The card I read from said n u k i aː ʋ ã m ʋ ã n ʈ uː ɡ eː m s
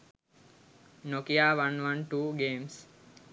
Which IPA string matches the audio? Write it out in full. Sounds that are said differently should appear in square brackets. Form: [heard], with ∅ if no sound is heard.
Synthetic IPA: n [o] k i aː ʋ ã [n] ʋ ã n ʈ uː ɡ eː m s

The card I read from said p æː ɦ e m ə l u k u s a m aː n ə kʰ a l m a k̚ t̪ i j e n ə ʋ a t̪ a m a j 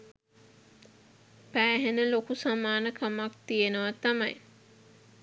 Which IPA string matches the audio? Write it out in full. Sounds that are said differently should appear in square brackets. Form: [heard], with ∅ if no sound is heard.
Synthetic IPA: p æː ɦ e [n] ə l [o] k u s a m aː n ə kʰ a [∅] m a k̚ t̪ i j e n ə ʋ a t̪ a m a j

